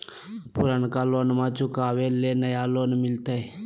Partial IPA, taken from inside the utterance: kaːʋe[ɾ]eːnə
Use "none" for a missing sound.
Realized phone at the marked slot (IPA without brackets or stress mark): l